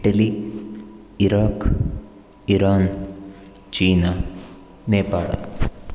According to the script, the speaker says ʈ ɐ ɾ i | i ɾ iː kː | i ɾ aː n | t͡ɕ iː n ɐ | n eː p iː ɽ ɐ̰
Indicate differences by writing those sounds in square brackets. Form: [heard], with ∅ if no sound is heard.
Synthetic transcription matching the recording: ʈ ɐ [l] i | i ɾ [aː] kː | i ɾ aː n | t͡ɕ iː n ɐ | n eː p [aː] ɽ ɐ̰